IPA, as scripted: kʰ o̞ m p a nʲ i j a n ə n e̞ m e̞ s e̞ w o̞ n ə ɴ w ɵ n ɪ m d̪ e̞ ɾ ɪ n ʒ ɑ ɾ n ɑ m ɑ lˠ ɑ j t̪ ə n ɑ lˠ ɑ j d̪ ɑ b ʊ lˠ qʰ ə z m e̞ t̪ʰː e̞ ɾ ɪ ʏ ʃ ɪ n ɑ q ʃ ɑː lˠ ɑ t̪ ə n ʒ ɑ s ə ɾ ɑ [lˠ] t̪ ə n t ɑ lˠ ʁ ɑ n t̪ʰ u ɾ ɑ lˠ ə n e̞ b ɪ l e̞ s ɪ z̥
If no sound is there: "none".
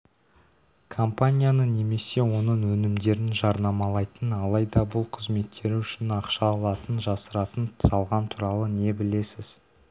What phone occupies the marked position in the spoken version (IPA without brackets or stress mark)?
none